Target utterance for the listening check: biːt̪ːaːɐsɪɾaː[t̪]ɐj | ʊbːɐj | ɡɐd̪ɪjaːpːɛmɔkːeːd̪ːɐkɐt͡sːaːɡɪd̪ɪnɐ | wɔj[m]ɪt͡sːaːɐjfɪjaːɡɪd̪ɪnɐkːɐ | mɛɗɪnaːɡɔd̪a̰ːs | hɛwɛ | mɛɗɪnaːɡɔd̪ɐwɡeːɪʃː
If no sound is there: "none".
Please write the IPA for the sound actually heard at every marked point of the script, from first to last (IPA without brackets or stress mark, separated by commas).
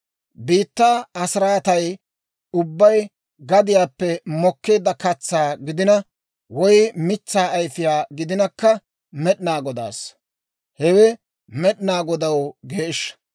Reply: t̪, m